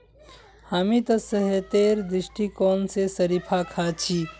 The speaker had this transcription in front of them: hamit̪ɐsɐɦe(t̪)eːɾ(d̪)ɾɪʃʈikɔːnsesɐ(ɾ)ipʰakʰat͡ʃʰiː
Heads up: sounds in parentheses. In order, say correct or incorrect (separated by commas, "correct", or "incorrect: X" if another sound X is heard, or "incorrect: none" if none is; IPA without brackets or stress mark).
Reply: correct, correct, correct